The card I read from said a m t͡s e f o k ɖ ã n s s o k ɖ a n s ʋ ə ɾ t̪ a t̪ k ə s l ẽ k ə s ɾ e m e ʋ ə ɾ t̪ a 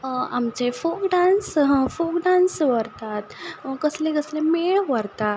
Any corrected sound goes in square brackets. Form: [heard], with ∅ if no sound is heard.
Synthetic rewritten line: a m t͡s e f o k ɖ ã n s [f] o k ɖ a n s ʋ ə ɾ t̪ a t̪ k ə s l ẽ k ə s [l] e m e ʋ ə ɾ t̪ a

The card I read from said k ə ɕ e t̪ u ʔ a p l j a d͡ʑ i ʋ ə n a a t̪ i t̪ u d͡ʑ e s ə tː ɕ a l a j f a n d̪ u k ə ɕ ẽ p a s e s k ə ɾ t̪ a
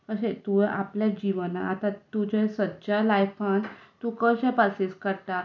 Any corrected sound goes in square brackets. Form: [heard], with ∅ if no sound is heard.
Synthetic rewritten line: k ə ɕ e t̪ u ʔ a p l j a d͡ʑ i ʋ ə n a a t̪ [a] t̪ u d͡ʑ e s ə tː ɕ a l a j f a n [t̪] u k ə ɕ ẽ p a s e s k ə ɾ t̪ a

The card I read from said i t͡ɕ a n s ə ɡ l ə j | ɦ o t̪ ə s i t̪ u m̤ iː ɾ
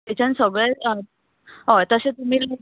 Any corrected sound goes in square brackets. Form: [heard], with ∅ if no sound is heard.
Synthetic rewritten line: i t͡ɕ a n s ə ɡ [ɭ] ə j | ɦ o t̪ ə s [e] t̪ u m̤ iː [l]

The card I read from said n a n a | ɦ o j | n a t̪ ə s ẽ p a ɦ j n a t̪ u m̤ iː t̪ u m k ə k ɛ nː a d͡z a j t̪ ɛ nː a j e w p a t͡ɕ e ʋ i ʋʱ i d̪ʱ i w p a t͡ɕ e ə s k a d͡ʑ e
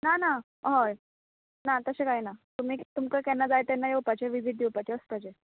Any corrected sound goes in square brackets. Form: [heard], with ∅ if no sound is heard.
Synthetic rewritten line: n a n a | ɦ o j | n a t̪ ə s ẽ [k] a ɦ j n a t̪ u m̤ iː t̪ u m k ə k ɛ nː a d͡z a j t̪ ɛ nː a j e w p a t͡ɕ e ʋ i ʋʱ i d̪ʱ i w p a t͡ɕ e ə s [p] a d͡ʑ e

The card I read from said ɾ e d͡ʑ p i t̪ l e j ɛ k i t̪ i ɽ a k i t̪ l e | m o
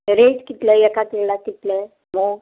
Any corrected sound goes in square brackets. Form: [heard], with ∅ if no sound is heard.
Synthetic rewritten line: ɾ e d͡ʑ [k] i t̪ l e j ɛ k [a] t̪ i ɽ a k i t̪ l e | m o

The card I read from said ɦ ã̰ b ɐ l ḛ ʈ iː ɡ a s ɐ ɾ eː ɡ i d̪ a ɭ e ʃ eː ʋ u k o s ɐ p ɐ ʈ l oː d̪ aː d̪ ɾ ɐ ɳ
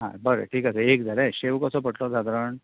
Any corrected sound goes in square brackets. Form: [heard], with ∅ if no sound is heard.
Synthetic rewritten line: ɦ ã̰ b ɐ [ɾ] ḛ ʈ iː [k] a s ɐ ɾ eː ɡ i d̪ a [ɾ] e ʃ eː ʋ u k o s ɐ p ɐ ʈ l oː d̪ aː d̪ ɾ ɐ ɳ

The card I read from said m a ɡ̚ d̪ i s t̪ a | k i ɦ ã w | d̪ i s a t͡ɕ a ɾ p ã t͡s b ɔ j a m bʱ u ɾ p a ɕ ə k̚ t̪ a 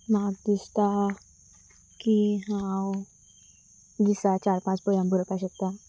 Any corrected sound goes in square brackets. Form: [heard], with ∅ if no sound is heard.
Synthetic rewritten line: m a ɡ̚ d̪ i s t̪ a | k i ɦ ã w | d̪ i s a t͡ɕ a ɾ p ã t͡s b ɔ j a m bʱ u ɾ p a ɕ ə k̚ t̪ a

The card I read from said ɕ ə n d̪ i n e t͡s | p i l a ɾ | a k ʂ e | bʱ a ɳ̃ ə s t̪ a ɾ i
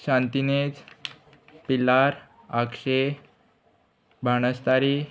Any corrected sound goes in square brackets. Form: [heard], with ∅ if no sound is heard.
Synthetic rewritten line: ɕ [a] n [t̪] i n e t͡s | p i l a ɾ | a k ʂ e | bʱ a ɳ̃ ə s t̪ a ɾ i

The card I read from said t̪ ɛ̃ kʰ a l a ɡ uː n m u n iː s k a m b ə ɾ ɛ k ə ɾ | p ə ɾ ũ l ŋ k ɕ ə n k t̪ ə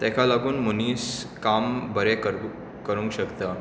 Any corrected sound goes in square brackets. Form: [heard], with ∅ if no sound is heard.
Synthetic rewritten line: t̪ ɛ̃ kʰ a l a ɡ uː n m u n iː s k a m b ə ɾ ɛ k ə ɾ | [k] ə ɾ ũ [∅] ŋ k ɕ ə [∅] k t̪ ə

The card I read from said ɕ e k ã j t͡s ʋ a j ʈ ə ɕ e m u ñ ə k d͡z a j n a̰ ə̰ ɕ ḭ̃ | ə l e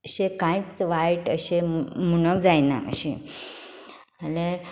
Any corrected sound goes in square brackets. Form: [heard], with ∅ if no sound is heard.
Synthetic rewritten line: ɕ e k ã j t͡s ʋ a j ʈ ə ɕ e m u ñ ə k d͡z a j n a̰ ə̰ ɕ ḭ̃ | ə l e

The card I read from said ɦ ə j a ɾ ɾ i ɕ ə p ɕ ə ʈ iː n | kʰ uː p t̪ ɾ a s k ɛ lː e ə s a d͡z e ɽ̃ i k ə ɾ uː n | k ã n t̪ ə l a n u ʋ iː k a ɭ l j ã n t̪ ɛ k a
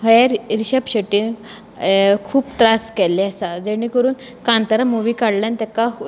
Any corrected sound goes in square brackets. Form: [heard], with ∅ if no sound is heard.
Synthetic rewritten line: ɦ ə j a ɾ ɾ i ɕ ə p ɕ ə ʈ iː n | kʰ uː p t̪ ɾ a s k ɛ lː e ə s a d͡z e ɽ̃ i k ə ɾ uː n | k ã n t̪ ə [ɾ] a [m] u ʋ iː k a [ɽ] l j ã n t̪ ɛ k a

